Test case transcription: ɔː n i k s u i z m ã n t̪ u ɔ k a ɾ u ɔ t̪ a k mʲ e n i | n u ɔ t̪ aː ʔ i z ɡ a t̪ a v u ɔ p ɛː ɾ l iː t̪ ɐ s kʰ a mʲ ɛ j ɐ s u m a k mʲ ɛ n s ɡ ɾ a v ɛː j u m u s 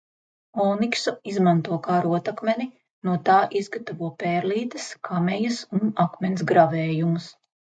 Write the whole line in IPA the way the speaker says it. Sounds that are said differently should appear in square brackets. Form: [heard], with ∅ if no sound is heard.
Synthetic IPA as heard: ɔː n i k s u i z m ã n t̪ u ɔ k a ɾ u ɔ t̪ a k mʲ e n i | n u ɔ t̪ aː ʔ i z ɡ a t̪ a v u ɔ p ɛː ɾ l iː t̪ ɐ s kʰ a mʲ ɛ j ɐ s u [n] a k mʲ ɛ n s ɡ ɾ a v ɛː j u m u s